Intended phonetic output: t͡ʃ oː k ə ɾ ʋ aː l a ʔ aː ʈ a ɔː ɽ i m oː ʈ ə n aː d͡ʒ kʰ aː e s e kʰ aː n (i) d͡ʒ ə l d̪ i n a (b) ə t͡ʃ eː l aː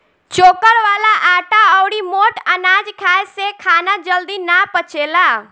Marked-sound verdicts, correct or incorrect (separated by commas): incorrect, incorrect